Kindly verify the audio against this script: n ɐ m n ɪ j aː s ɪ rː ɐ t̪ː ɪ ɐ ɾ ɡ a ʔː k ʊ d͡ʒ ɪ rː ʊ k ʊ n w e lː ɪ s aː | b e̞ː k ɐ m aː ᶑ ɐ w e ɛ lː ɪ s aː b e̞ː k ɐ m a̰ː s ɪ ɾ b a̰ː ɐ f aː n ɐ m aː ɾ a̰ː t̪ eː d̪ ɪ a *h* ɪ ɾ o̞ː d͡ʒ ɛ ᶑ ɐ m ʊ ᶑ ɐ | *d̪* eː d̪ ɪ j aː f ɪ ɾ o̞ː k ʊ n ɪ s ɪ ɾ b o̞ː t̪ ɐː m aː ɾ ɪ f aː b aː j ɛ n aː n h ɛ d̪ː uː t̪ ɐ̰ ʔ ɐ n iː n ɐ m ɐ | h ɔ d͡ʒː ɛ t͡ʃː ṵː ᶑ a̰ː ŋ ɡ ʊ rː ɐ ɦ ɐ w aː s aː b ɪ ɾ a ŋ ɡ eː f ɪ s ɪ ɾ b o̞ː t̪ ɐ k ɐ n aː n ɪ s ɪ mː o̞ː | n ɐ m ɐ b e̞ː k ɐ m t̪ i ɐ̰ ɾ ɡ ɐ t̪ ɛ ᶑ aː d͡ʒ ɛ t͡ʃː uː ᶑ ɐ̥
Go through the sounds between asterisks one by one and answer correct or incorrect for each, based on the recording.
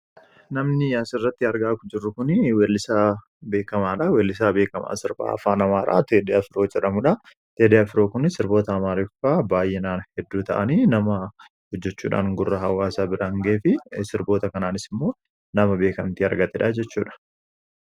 incorrect, incorrect

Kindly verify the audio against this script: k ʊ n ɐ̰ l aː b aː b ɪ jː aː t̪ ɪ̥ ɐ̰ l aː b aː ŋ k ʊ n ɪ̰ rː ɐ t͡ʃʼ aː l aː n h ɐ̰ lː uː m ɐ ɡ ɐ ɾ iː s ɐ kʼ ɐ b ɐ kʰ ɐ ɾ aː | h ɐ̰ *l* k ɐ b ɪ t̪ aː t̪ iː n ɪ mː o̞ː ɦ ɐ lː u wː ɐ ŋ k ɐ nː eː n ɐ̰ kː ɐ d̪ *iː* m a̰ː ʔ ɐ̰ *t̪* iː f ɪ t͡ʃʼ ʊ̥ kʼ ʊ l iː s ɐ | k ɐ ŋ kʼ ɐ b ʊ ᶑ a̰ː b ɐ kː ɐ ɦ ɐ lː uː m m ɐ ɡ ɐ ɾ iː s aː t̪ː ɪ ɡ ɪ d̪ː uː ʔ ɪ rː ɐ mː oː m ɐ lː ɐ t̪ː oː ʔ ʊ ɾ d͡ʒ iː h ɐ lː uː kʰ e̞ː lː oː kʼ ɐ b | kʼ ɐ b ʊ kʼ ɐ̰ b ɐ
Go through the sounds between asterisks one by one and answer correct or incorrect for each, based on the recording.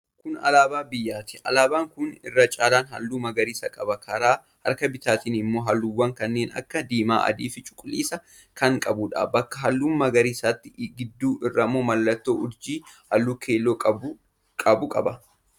incorrect, correct, incorrect

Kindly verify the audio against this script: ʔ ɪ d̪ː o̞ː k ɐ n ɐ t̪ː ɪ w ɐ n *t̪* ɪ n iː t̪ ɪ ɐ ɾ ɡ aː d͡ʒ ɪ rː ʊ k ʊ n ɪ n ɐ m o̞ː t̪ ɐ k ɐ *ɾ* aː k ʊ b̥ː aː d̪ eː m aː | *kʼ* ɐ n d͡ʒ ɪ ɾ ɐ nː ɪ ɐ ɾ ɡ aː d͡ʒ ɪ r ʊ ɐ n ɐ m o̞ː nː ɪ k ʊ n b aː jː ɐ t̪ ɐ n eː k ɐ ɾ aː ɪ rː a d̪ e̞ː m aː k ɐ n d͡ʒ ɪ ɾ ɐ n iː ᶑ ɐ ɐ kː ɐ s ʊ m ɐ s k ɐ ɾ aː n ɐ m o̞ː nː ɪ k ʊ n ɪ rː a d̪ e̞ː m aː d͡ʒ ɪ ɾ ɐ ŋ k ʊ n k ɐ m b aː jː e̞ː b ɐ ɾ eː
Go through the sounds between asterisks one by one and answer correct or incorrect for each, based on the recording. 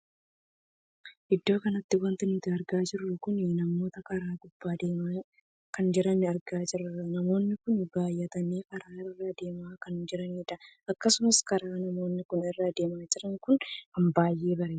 correct, correct, incorrect

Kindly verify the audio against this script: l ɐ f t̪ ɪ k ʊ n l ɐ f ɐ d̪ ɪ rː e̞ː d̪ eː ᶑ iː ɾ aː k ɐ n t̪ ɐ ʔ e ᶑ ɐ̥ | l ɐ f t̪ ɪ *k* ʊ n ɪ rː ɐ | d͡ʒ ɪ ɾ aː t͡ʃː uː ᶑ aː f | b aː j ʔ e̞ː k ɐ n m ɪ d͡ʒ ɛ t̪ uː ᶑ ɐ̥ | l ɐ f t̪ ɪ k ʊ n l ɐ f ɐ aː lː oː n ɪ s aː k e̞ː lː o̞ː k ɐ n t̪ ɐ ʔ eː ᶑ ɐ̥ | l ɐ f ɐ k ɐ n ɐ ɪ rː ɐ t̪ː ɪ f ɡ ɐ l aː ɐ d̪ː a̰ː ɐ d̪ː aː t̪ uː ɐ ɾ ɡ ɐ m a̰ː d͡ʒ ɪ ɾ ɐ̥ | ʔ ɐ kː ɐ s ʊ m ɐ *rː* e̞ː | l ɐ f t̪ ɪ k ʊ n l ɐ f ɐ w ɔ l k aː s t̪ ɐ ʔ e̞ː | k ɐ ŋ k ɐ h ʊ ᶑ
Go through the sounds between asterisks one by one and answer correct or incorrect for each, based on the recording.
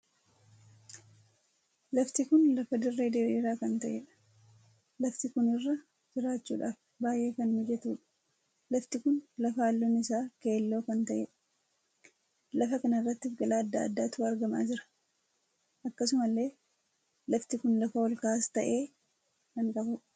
correct, incorrect

